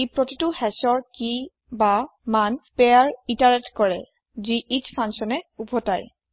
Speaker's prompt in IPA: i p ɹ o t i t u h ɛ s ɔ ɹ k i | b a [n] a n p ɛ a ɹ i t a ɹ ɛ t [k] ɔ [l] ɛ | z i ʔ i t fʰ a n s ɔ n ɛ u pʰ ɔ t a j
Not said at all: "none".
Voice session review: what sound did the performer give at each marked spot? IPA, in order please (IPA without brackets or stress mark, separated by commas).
m, k, ɹ